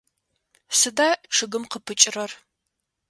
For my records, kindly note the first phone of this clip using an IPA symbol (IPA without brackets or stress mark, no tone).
s